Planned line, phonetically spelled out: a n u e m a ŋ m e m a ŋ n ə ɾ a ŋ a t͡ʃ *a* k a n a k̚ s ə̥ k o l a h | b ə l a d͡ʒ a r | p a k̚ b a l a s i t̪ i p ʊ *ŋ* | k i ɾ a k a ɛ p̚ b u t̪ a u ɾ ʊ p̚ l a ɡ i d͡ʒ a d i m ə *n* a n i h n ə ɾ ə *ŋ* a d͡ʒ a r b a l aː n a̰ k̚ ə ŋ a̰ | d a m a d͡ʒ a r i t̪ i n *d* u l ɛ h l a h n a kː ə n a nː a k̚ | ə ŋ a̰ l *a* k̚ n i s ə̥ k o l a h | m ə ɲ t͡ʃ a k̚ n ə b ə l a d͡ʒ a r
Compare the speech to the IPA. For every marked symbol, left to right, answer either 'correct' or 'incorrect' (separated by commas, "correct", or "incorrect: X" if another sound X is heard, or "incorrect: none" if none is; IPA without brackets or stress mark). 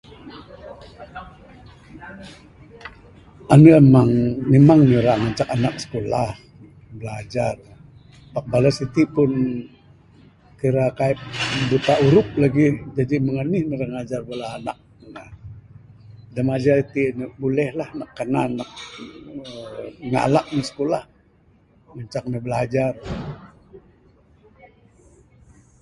correct, incorrect: n, incorrect: ŋ, correct, incorrect: b, correct